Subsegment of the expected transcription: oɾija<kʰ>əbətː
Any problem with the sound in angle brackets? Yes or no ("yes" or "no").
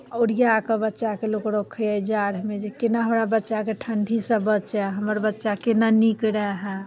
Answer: yes